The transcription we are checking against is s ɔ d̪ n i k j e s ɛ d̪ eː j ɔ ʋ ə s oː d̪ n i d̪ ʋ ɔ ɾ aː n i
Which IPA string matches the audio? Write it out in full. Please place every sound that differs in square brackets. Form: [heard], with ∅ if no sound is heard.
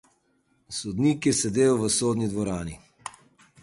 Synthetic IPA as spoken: s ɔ d̪ n i k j [ɛ] s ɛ d̪ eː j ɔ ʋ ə s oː d̪ n i d̪ ʋ ɔ ɾ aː n i